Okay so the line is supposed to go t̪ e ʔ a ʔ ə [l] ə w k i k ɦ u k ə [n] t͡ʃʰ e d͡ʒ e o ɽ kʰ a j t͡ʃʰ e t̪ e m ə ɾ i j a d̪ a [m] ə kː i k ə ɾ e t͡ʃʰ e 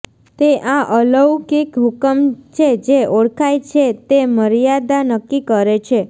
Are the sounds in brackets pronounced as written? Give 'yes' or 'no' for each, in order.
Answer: yes, no, no

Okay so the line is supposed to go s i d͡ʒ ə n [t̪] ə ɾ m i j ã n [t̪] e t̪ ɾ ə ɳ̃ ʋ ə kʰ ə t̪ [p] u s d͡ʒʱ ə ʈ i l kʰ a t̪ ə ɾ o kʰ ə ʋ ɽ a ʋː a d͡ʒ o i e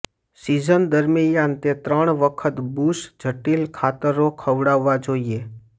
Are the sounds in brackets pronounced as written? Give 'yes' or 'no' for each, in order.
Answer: no, yes, no

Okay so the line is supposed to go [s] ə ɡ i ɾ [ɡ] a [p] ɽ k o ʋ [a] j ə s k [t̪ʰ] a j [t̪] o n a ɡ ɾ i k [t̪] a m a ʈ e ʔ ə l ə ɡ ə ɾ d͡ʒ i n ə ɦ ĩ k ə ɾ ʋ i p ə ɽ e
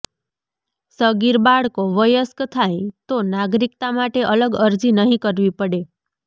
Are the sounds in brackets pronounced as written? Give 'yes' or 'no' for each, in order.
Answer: yes, no, no, no, yes, yes, yes

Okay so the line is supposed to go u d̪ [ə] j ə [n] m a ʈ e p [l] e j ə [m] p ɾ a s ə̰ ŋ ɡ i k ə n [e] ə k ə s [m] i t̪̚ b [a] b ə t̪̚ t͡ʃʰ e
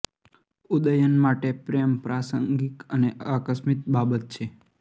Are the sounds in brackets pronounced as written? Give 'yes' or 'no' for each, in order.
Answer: yes, yes, no, yes, yes, yes, yes

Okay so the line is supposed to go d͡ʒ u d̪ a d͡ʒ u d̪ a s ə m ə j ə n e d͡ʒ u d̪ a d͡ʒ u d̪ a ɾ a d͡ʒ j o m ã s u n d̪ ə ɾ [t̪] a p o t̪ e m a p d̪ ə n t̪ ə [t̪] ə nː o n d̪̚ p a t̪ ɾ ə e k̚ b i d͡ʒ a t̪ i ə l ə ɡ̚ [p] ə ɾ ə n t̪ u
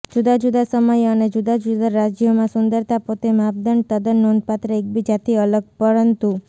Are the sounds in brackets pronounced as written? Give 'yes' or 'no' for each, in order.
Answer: yes, no, yes

